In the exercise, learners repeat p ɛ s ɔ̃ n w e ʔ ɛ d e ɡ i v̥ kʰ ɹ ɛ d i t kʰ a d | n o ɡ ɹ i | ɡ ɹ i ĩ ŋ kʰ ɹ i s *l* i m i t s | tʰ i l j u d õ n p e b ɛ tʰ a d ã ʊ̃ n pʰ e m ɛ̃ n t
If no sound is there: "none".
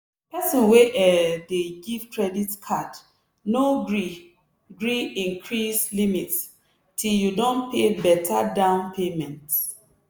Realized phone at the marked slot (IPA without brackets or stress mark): l